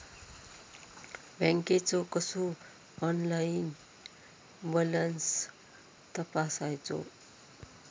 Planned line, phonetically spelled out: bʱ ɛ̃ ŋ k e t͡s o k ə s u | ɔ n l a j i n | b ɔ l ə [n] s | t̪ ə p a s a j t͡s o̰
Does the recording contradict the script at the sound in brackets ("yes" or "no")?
no